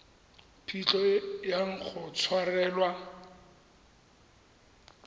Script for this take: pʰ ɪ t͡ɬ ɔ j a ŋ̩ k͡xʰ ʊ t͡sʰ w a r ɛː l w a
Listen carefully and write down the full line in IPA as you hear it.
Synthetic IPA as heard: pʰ i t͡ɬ ɔ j a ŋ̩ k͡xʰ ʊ t͡sʰ w a r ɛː l w a